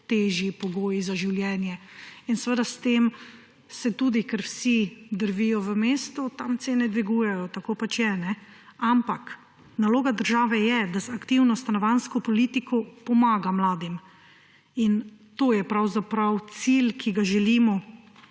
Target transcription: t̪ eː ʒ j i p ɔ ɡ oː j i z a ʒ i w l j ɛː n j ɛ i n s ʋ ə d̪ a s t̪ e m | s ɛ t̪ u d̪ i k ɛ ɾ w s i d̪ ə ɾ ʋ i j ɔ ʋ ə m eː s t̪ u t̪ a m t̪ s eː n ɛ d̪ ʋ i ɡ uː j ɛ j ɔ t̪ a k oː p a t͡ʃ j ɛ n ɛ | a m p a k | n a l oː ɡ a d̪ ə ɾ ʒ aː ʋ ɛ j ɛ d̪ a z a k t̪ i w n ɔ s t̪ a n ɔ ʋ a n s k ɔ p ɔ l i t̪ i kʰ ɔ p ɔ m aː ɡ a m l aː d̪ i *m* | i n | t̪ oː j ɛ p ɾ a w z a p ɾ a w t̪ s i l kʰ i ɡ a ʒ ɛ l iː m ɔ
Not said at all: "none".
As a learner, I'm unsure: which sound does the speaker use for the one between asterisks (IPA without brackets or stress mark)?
m